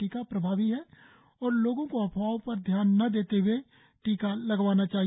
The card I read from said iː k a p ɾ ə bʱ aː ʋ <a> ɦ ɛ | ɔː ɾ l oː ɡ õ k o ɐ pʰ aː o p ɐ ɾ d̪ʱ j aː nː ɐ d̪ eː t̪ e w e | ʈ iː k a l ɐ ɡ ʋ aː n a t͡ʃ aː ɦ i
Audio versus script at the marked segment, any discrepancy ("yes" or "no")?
yes